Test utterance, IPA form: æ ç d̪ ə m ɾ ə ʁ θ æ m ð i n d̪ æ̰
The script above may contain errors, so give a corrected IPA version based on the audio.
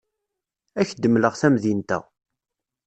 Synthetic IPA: æ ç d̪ ə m l ə ʁ θ æ m ð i n t̪ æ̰